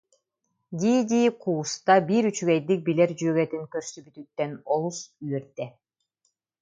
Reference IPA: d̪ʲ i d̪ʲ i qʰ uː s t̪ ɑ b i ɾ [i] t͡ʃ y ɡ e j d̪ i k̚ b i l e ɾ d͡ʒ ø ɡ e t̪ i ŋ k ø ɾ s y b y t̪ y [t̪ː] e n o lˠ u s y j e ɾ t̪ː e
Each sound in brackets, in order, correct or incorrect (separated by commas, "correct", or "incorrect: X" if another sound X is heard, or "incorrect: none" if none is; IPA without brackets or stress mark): incorrect: y, correct